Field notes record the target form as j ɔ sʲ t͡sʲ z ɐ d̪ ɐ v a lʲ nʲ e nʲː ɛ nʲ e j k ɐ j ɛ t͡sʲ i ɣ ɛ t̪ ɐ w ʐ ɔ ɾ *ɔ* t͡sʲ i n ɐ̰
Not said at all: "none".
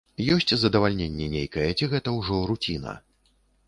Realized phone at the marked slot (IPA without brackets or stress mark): u